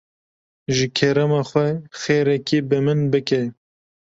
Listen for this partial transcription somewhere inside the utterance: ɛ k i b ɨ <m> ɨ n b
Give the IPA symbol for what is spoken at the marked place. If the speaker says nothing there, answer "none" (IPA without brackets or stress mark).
m